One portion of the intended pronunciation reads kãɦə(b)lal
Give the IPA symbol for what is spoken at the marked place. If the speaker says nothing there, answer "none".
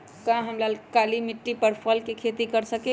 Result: m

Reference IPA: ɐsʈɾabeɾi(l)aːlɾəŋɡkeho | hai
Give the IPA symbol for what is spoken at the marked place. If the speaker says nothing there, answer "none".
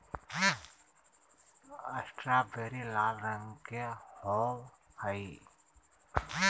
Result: l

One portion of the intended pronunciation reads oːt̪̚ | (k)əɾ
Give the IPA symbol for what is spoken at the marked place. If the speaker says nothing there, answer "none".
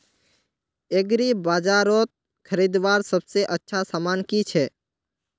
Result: kʰ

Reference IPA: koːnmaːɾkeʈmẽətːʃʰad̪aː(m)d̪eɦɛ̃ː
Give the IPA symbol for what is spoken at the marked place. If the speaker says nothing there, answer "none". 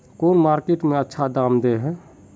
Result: m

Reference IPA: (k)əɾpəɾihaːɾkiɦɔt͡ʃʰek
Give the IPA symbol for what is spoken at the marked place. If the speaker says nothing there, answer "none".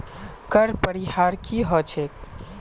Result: k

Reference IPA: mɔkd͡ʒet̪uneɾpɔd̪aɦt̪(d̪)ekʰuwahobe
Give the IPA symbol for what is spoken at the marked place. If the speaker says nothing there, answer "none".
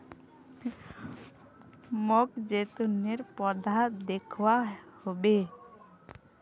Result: d̪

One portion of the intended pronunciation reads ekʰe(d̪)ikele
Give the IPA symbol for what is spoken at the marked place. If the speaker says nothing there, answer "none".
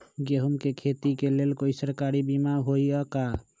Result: t̪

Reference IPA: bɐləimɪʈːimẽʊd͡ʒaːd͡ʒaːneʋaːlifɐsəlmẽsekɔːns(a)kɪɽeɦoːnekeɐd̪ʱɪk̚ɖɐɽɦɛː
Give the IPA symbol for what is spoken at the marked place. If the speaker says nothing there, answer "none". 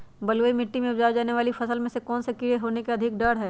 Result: e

